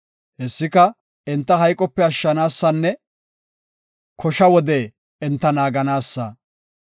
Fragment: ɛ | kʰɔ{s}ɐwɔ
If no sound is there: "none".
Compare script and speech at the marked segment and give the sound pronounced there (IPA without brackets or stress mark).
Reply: ʃ